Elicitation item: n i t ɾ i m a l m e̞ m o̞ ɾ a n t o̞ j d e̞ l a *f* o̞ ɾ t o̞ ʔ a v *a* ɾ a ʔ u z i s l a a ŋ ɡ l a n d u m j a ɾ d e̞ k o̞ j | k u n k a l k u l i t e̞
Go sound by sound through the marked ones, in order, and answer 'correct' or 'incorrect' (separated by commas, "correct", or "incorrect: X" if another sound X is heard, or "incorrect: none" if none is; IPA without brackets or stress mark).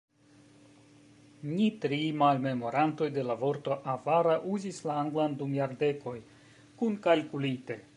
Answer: incorrect: v, correct